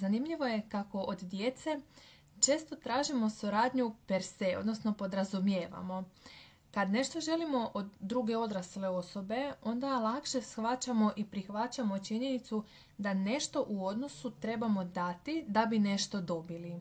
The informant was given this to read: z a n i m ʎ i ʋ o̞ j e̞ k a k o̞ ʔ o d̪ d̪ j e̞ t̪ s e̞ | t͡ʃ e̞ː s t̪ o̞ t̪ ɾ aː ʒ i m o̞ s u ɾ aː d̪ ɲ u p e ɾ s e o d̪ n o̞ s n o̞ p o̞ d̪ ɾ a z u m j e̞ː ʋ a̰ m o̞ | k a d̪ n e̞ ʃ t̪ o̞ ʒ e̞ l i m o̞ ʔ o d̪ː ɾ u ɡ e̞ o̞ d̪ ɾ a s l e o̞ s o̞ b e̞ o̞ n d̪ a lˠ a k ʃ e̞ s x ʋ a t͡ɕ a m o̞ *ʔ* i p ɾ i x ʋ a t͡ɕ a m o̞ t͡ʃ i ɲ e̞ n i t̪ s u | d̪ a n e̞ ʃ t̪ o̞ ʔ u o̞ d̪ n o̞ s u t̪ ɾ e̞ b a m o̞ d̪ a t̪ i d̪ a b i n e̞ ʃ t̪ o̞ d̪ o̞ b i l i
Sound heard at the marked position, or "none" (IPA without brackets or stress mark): ʔ